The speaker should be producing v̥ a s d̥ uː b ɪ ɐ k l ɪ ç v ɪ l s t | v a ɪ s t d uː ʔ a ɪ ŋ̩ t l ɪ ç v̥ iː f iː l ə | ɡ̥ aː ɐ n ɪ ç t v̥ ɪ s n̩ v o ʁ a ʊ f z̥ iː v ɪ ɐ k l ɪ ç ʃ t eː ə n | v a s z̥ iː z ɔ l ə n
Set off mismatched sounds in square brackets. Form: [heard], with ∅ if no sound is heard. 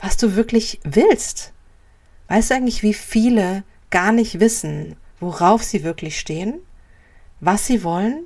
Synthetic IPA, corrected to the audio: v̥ a s d̥ uː [v] ɪ ɐ k l ɪ ç v ɪ l s t | v a ɪ s t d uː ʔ a ɪ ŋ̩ t l ɪ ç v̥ iː f iː l ə | ɡ̥ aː ɐ n ɪ ç t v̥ ɪ s n̩ v o ʁ a ʊ f z̥ iː v ɪ ɐ k l ɪ ç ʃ t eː ə n | v a s z̥ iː [v] ɔ l ə n